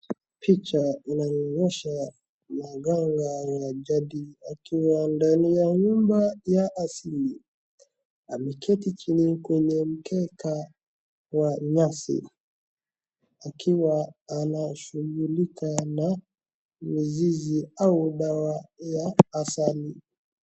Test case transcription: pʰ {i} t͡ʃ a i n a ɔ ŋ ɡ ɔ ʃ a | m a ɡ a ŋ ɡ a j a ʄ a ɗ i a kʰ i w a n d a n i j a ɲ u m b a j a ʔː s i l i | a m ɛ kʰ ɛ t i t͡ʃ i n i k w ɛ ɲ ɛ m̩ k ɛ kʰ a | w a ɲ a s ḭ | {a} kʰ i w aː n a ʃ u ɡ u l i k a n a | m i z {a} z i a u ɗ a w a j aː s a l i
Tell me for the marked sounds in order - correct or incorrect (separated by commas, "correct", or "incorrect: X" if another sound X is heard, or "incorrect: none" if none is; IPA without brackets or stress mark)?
correct, correct, incorrect: i